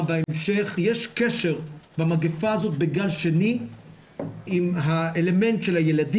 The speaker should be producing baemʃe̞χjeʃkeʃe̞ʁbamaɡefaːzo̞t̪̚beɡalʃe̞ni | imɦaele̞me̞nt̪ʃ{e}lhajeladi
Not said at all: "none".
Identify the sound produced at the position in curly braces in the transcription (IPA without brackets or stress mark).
e